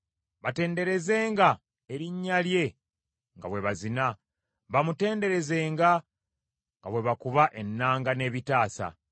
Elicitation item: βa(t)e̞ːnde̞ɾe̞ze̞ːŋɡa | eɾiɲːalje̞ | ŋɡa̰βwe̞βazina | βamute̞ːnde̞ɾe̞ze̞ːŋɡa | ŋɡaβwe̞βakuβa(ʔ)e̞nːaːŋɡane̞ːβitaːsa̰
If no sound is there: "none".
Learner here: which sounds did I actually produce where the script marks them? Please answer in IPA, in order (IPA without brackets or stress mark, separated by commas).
t, ʔ